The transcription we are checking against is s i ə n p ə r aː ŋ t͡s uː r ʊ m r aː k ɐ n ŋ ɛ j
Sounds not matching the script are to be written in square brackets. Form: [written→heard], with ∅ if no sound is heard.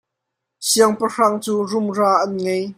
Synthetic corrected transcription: s i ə [n→ŋ] p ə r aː ŋ t͡s uː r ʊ m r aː [k→ʔ] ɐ n ŋ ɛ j